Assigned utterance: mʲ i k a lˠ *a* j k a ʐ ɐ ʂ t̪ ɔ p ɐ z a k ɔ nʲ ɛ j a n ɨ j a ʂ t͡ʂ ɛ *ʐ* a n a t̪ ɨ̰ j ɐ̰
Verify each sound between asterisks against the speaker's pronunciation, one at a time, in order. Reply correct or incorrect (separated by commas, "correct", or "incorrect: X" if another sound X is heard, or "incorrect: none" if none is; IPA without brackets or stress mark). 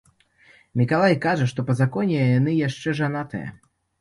correct, correct